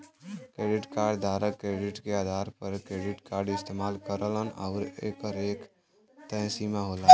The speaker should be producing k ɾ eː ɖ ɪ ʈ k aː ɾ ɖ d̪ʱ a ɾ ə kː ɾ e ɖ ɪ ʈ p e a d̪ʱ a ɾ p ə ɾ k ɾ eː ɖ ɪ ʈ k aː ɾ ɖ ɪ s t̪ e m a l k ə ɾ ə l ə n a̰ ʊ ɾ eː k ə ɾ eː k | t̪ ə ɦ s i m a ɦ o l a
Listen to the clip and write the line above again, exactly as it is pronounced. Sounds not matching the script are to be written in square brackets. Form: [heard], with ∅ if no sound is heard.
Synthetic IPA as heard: k ɾ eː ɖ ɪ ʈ k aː ɾ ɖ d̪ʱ a ɾ ə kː ɾ e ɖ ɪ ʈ [k] e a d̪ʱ a ɾ p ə ɾ k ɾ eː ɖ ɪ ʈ k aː ɾ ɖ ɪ s t̪ e m a l k ə ɾ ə l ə n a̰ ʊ ɾ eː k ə ɾ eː k | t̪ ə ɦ s i m a ɦ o l a